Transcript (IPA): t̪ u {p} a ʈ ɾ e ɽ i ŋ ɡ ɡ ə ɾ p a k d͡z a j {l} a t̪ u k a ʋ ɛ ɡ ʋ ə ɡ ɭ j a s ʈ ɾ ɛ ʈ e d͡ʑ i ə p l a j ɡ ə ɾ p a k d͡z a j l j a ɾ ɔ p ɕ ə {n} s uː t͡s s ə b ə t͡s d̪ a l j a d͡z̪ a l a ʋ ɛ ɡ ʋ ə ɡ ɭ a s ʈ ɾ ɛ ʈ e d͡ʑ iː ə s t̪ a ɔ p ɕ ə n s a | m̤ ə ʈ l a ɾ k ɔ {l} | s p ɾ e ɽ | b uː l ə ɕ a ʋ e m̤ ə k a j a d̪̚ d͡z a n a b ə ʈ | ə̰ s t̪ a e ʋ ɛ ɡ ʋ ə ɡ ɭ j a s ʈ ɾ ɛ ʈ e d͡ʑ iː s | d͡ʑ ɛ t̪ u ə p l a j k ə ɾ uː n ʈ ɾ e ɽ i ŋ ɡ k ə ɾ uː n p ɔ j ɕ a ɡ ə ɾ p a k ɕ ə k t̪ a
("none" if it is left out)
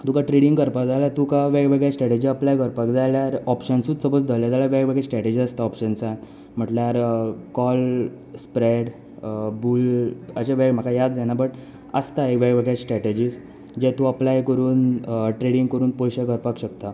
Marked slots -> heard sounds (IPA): k, l, n, l

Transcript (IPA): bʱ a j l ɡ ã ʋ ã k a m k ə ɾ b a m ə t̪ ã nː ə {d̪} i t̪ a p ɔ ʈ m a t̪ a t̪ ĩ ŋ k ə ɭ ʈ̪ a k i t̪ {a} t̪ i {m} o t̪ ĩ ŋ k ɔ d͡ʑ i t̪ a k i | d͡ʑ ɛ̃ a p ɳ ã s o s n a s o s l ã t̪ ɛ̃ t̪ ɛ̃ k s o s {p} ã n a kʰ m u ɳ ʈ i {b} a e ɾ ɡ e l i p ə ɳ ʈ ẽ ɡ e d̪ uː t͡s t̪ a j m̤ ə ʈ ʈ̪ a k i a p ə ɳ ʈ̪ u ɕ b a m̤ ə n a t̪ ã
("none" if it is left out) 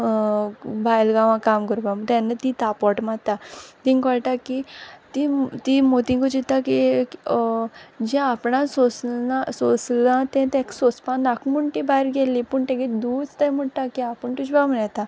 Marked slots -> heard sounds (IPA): t̪, i, m, p, b

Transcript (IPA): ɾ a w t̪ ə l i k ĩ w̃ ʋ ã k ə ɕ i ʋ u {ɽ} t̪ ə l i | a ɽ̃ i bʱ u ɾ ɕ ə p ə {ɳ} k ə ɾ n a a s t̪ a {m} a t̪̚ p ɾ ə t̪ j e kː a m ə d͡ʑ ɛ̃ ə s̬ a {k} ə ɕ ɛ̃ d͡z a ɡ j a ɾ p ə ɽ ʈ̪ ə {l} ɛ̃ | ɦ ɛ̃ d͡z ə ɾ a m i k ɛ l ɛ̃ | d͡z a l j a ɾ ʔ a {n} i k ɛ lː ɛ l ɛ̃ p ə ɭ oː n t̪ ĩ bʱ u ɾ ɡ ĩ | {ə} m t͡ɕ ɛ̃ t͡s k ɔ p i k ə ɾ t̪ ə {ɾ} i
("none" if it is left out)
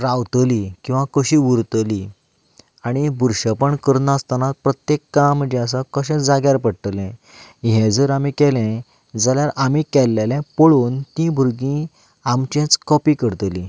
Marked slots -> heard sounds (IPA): ɾ, ɳ, n, k, l, m, a, l

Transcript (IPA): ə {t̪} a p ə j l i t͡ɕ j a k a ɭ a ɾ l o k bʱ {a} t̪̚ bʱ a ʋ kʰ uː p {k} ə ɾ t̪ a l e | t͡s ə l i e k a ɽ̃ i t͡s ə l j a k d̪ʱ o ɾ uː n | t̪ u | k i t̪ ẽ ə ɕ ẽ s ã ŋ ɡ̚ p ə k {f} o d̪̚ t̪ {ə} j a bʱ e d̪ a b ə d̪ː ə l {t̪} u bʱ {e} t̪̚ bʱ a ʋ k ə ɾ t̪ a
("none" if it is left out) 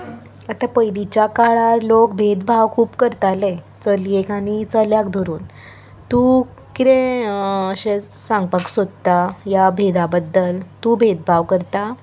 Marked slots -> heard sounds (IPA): t̪, e, k, s, a, t̪, e

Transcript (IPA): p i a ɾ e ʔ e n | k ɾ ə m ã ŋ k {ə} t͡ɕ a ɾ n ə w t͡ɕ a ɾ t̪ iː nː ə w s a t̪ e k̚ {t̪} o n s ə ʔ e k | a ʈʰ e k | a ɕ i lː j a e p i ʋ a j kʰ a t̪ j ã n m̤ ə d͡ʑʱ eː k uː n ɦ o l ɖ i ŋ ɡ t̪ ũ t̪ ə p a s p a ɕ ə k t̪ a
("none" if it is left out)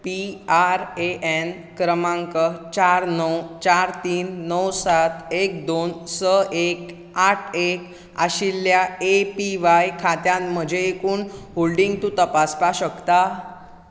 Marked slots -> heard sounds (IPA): ə, d̪

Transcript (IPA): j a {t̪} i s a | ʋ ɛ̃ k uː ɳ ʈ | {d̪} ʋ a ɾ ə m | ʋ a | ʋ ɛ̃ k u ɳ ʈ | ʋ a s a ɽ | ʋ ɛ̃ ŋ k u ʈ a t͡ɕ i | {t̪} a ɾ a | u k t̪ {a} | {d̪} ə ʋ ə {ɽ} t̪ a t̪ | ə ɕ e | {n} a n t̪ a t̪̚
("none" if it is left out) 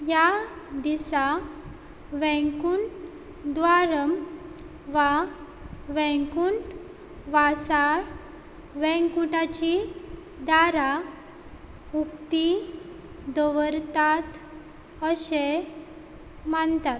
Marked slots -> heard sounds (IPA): d̪, d̪, d̪, i, d̪, ɾ, m

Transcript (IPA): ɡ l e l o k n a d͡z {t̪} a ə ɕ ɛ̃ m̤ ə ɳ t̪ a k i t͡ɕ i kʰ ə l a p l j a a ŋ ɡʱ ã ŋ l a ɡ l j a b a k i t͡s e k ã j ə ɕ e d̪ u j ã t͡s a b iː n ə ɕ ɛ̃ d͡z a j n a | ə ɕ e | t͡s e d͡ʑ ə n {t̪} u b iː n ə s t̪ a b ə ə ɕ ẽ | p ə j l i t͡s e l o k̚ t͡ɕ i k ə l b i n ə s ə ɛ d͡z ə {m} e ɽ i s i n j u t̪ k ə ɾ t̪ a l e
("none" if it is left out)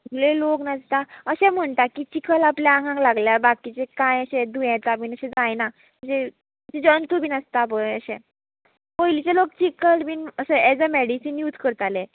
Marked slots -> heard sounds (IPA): t̪, t̪, m

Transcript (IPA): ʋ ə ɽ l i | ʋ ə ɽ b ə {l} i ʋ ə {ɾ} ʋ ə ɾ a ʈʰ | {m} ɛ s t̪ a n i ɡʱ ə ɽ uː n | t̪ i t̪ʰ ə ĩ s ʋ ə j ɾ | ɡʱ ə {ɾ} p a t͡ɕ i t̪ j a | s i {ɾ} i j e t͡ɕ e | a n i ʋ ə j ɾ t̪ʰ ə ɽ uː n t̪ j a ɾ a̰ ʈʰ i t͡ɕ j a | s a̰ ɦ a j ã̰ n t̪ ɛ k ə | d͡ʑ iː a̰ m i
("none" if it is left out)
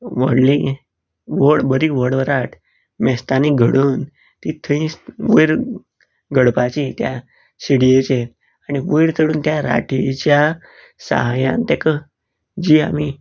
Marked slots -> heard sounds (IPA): ɾ, ɽ, m, ɽ, ɽ

